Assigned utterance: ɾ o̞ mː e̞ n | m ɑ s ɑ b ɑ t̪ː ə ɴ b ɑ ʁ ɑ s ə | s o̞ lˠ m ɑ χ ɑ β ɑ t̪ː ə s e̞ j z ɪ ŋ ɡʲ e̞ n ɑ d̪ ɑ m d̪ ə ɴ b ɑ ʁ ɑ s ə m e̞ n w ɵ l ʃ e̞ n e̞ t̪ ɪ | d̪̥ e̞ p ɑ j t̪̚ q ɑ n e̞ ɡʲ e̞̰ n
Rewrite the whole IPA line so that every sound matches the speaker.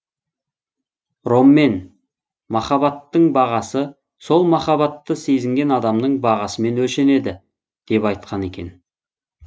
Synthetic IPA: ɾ o̞ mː e̞ n | m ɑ χ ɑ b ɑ t̪ː ə ɴ b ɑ ʁ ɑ s ə | s o̞ lˠ m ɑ χ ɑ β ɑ t̪ː ə s e̞ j z ɪ ŋ ɡʲ e̞ n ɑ d̪ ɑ m d̪ ə ɴ b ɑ ʁ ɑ s ə m e̞ n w ɵ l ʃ e̞ n e̞ d̪ ɪ | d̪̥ e̞ p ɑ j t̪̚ q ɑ n e̞ kʲ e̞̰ n